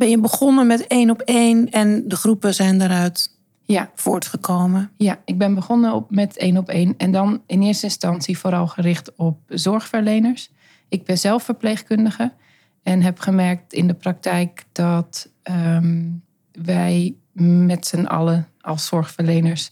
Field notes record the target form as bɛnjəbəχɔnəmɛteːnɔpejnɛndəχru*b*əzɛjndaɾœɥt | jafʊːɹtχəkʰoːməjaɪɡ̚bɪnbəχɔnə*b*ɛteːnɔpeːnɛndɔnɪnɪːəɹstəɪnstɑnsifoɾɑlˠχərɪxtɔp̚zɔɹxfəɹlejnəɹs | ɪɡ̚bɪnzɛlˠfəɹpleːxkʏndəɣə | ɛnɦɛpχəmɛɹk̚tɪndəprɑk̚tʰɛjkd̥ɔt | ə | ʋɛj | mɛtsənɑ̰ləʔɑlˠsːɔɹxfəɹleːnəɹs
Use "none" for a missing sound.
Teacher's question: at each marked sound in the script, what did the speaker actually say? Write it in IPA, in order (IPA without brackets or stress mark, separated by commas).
p, m